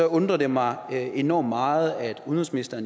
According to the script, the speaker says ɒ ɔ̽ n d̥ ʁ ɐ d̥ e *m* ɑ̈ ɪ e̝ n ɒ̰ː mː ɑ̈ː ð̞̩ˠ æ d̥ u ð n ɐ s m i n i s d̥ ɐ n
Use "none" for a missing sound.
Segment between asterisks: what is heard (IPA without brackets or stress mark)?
m